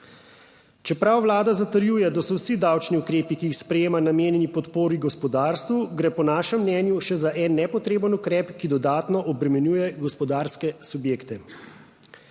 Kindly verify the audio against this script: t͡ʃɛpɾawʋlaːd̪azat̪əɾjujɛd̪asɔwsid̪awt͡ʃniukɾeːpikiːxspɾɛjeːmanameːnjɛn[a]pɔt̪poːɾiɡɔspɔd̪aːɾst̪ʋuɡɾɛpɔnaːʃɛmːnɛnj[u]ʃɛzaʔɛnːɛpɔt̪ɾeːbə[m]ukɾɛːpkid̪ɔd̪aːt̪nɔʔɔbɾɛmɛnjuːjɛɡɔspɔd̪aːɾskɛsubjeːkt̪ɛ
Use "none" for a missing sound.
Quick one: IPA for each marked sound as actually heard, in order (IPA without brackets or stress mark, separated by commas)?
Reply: i, u, n